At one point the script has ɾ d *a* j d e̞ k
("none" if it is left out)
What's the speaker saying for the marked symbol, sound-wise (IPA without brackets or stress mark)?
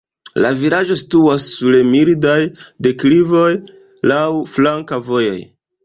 a